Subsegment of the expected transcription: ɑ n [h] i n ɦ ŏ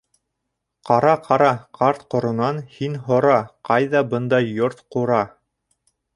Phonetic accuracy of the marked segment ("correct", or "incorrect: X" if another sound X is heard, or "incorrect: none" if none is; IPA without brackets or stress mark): correct